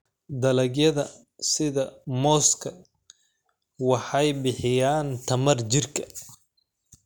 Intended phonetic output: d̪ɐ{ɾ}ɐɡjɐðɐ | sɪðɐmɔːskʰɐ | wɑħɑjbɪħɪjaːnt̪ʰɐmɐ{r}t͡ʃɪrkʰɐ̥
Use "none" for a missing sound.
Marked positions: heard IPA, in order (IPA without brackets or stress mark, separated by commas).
l, r